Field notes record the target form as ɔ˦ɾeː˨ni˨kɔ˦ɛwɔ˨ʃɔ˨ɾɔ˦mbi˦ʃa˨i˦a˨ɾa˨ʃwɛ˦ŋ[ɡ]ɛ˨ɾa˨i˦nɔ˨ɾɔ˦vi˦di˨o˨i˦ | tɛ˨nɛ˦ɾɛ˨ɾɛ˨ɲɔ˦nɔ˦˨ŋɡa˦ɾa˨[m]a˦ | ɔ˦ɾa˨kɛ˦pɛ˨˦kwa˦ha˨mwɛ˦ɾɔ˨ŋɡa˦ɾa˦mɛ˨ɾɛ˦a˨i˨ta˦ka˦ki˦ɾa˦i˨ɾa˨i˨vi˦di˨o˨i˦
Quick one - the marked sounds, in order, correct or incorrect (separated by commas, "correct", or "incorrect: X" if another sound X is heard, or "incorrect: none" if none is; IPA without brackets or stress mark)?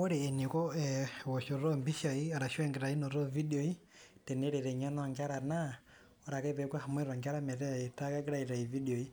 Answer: correct, incorrect: n